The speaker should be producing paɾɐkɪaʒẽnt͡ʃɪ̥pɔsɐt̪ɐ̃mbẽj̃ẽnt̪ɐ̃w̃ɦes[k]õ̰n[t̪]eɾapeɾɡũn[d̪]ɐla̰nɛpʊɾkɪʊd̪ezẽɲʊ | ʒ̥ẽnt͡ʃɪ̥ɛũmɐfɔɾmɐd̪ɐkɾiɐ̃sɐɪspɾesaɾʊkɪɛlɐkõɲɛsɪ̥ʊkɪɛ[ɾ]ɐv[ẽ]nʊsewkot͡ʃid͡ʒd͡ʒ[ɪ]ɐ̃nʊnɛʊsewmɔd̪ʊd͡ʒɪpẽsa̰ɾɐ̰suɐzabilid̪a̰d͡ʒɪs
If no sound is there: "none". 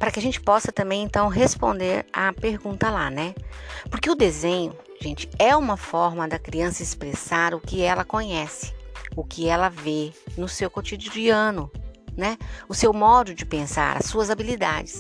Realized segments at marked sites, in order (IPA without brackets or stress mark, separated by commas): p, d̪, t̪, l, e, i